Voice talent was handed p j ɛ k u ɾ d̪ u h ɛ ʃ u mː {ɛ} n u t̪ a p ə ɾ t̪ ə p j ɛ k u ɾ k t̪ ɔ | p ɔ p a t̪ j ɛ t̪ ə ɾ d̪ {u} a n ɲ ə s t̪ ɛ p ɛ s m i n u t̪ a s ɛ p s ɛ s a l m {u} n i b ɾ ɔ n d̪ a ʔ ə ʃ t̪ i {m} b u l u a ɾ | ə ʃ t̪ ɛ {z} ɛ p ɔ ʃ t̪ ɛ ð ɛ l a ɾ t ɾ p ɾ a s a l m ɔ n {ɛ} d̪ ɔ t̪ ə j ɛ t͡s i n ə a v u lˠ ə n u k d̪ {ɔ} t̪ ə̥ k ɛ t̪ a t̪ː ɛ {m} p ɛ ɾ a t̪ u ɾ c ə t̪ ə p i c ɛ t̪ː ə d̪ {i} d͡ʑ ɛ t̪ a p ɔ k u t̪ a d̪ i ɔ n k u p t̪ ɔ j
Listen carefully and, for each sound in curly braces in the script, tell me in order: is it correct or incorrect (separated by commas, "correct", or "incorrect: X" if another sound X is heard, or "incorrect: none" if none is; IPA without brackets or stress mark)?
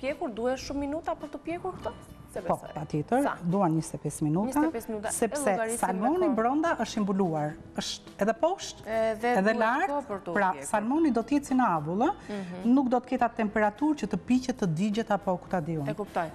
incorrect: i, correct, incorrect: ɔ, correct, incorrect: ð, incorrect: i, correct, correct, correct